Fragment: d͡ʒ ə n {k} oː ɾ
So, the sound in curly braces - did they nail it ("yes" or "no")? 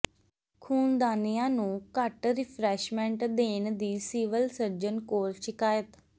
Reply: yes